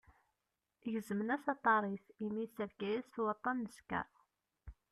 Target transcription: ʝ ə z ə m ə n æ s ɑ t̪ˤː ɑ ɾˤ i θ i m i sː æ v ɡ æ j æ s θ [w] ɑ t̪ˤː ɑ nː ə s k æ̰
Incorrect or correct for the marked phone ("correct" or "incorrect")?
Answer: correct